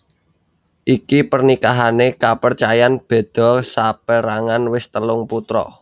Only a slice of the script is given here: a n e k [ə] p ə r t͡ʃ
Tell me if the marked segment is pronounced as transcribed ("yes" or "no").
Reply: no